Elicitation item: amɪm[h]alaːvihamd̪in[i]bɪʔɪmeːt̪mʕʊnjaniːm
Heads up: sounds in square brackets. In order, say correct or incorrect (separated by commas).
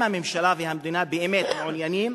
incorrect, incorrect